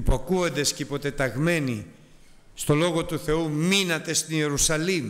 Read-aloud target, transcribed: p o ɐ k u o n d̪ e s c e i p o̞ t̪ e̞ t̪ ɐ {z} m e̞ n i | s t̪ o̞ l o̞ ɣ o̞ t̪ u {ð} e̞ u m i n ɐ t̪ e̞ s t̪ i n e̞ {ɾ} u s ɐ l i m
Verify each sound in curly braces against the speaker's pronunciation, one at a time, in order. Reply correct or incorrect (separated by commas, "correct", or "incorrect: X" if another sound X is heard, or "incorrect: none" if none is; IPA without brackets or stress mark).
incorrect: ɣ, incorrect: θ, correct